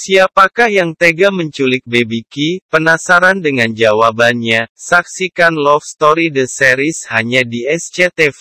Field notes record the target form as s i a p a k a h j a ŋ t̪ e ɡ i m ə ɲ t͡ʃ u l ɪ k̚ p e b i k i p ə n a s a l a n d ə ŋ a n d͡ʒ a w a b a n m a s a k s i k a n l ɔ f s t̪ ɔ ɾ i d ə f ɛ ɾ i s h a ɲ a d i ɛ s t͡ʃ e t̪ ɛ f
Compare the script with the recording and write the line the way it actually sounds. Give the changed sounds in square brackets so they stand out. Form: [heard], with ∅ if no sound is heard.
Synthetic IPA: s i a p a k a h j a ŋ t̪ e ɡ [a] m ə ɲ t͡ʃ u l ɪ k̚ [b] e b i k i p ə n a s a [ɾ] a n d ə ŋ a n d͡ʒ a w a b a n [ɲ] a s a k s i k a n l ɔ f s t̪ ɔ ɾ i d ə [s] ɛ ɾ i s h a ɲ a d i ɛ s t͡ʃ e t̪ ɛ f